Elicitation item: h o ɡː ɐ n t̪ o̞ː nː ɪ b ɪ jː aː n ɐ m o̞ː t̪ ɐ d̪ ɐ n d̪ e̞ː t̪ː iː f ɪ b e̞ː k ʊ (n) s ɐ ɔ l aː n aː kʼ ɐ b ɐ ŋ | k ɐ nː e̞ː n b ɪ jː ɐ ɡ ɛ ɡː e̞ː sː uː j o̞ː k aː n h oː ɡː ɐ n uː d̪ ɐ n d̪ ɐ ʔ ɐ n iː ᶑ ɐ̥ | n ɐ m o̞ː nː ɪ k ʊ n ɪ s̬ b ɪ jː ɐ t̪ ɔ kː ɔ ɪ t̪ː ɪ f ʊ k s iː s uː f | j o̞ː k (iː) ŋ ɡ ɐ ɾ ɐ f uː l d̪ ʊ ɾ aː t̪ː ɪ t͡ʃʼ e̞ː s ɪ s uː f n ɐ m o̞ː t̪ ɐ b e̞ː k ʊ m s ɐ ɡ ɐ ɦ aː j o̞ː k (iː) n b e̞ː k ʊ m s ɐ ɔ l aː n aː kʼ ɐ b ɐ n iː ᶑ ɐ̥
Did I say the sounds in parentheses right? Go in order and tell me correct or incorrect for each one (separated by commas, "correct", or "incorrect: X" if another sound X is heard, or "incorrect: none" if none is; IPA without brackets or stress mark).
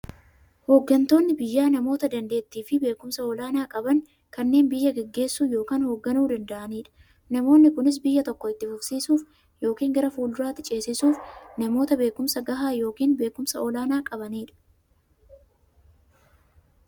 incorrect: m, correct, correct